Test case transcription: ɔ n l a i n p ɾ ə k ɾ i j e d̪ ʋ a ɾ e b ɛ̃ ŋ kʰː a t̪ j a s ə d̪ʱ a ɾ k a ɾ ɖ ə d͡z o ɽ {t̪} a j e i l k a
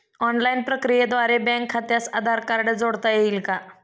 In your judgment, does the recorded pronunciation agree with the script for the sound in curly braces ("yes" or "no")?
yes